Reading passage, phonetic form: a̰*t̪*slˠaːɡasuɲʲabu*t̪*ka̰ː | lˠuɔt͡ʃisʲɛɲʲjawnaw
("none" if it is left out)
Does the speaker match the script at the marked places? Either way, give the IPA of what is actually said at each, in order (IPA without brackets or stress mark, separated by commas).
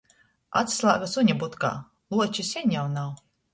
t̪, t̪